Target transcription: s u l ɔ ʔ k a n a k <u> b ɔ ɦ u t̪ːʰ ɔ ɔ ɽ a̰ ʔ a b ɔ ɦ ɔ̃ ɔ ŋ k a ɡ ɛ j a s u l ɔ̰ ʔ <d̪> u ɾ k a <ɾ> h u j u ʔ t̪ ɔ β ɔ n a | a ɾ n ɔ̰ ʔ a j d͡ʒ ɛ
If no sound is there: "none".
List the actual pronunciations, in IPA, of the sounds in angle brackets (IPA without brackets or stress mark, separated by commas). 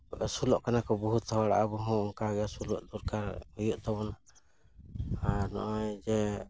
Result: ɔ, d̪, ɾ